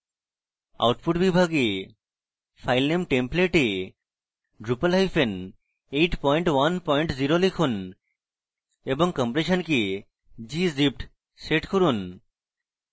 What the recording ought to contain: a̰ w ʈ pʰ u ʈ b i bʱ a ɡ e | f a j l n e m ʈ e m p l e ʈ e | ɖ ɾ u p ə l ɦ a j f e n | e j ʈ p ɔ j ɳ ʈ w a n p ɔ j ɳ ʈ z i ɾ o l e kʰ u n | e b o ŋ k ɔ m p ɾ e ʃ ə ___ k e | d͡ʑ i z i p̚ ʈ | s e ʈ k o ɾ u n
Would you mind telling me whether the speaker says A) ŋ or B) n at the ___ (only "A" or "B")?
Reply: B